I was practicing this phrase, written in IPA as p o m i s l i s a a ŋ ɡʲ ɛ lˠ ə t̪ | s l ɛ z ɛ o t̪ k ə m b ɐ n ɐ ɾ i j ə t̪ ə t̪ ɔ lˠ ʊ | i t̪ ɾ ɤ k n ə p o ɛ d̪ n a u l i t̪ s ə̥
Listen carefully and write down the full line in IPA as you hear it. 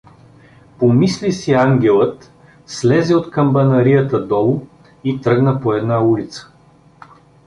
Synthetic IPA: p o m i s l i s i a ŋ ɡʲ ɛ lˠ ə t̪ | s l ɛ z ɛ o t̪ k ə m b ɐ n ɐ ɾ i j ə t̪ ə d̪ ɔ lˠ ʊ | i t̪ ɾ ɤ ɡ n ə p o ɛ d̪ n a u l i t̪ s ə̥